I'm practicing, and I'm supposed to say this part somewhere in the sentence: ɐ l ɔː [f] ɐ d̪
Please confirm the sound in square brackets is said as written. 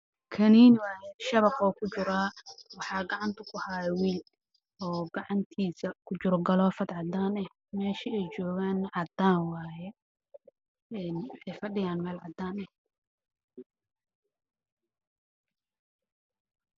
yes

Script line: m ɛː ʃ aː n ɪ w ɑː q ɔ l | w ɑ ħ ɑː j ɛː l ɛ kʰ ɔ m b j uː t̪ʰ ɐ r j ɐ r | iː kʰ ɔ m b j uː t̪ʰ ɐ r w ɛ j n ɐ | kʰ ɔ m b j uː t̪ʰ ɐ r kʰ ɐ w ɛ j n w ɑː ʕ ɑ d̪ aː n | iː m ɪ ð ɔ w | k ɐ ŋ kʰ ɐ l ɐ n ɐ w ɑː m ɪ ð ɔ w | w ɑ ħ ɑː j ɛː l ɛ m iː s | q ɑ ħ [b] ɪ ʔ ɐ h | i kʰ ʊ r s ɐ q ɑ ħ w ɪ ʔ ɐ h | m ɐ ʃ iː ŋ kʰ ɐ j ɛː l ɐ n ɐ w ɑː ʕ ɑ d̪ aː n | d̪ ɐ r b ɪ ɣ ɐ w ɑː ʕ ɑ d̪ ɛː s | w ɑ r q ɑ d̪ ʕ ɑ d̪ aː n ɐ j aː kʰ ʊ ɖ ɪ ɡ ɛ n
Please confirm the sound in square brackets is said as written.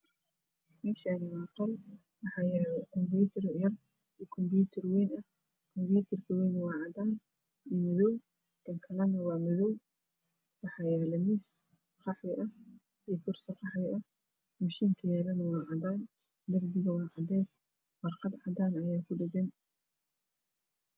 no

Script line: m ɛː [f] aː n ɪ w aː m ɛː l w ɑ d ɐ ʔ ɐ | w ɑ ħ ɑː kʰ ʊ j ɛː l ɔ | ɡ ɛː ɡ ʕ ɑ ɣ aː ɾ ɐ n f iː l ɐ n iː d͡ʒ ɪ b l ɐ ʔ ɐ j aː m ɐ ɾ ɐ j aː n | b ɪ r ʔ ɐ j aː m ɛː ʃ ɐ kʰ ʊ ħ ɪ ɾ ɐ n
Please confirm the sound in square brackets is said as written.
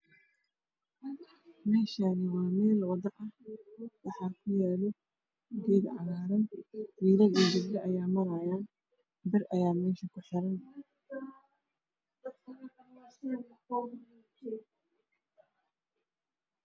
no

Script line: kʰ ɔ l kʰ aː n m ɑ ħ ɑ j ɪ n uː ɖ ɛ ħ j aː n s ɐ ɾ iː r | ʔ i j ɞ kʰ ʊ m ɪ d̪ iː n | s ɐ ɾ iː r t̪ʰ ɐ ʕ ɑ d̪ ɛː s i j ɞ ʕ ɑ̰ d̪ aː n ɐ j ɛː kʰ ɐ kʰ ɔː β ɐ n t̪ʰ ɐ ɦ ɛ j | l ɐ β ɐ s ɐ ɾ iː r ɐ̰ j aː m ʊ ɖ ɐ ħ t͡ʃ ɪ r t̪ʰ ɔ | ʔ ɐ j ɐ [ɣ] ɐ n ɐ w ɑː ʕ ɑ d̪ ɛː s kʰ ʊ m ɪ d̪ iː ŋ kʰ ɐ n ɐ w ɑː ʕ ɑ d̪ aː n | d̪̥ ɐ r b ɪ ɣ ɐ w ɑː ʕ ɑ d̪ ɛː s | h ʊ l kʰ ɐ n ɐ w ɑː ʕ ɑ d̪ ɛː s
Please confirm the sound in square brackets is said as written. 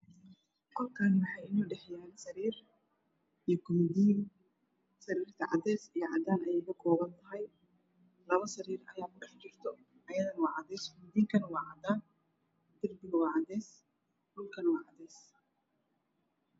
no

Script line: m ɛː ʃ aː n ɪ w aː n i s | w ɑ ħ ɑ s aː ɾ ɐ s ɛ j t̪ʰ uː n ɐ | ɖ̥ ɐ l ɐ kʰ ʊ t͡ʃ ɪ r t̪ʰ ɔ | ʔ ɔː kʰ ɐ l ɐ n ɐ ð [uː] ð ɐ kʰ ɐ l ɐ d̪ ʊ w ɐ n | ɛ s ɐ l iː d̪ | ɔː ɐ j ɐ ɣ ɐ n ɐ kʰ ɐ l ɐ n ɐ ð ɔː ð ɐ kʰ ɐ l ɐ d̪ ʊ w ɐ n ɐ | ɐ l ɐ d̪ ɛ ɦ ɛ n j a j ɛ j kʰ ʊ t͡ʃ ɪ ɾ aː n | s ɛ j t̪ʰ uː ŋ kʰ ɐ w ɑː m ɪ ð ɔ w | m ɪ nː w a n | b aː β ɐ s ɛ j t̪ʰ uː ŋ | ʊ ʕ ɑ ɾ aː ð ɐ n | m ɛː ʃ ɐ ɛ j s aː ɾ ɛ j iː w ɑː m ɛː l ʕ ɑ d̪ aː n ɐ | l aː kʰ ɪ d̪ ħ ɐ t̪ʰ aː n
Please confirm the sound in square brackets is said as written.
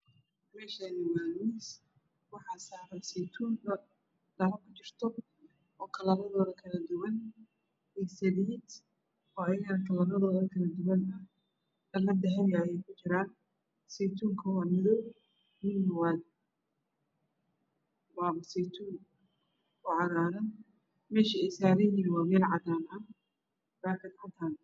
no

